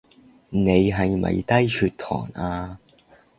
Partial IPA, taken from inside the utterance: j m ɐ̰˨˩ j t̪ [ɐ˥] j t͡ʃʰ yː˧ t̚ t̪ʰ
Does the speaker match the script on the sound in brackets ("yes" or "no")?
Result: yes